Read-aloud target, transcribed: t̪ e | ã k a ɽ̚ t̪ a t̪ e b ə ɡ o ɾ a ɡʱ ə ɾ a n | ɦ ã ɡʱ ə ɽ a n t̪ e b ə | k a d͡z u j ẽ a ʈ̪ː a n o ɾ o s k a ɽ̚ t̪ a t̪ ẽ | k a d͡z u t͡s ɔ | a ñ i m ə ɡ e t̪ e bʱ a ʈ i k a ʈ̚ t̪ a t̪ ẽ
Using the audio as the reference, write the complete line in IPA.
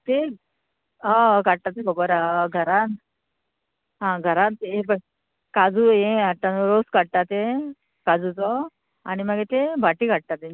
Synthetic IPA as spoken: t̪ e | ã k a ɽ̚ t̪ a t̪ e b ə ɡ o ɾ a ɡʱ ə ɾ a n | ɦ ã ɡʱ ə ɾ a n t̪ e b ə | k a d͡z u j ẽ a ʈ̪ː a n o ɾ o s k a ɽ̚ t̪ a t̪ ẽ | k a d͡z u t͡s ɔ | a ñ i m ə ɡ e t̪ e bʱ a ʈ i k a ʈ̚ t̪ a t̪ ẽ